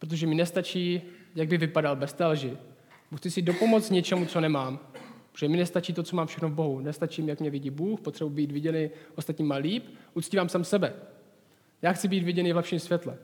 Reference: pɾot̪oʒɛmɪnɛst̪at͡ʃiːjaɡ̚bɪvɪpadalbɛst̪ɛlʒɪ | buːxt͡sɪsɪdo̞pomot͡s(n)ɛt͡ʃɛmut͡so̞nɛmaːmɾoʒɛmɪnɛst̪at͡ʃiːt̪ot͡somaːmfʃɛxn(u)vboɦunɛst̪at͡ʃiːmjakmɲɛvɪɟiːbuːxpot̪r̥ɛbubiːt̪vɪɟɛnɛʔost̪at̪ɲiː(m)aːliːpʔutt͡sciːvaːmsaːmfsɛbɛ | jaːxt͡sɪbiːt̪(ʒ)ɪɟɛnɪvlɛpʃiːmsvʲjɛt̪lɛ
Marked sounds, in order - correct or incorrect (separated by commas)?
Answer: incorrect, incorrect, correct, incorrect